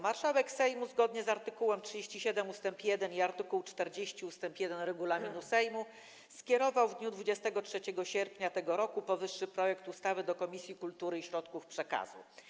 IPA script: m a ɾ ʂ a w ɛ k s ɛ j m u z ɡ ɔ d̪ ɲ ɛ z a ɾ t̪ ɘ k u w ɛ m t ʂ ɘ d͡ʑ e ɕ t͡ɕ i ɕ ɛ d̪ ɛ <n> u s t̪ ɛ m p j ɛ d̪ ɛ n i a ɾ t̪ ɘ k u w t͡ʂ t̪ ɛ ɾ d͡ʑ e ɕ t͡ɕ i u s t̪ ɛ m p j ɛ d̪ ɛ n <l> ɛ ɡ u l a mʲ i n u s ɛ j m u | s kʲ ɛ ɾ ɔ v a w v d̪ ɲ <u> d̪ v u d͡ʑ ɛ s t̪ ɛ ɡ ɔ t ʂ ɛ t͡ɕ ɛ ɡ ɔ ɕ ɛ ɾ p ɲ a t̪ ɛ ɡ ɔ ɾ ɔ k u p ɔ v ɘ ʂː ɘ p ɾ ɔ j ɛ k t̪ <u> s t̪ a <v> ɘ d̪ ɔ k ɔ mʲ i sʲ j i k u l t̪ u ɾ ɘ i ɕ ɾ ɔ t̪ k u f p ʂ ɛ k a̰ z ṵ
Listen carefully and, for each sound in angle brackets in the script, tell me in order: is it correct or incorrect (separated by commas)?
incorrect, incorrect, correct, correct, correct